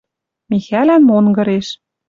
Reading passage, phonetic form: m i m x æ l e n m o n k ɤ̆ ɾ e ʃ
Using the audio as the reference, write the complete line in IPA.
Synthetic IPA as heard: m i x æ l æ n m o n ɡ ɤ̆ ɾ e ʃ